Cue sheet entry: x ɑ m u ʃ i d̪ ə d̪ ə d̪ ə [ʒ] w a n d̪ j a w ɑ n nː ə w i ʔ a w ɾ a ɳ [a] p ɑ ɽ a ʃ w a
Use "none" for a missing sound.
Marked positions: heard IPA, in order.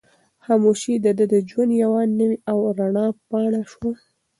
d͡ʒ, ɑ

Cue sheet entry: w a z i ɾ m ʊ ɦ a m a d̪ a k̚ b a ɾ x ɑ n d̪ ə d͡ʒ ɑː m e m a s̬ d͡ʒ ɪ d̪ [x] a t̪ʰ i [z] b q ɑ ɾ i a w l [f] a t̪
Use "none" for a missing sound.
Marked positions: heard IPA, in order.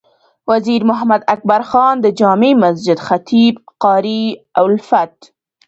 x, none, f

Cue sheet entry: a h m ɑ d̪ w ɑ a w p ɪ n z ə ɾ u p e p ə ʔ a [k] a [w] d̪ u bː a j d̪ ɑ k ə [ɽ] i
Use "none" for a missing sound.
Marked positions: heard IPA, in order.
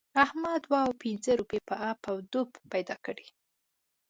p, w, ɽ

